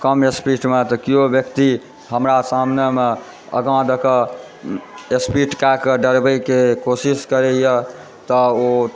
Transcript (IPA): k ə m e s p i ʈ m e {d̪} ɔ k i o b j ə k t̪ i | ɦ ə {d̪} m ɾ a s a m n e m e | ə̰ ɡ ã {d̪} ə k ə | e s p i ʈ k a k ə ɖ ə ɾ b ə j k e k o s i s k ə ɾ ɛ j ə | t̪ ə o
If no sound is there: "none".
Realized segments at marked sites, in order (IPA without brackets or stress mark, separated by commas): t̪, none, d̪